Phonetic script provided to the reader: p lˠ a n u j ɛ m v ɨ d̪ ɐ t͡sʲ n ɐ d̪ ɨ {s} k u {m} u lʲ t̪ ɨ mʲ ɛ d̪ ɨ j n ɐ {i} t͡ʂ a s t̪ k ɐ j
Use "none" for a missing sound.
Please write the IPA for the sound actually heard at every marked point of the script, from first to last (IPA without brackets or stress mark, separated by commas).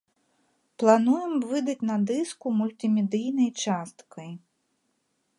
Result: s, m, j